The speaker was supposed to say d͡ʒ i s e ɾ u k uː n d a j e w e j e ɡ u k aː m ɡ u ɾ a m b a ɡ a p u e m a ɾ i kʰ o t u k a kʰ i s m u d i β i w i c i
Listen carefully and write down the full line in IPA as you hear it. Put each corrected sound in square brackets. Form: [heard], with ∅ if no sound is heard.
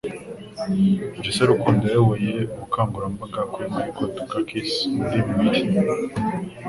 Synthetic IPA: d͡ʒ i s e ɾ u k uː n d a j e w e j e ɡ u k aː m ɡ u ɾ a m b a ɡ a [k] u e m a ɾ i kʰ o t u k a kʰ i s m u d i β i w i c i